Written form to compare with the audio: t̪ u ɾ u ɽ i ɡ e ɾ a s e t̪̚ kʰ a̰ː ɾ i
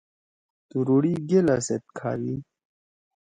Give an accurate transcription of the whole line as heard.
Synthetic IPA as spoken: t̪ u ɾ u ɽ i ɡ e l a s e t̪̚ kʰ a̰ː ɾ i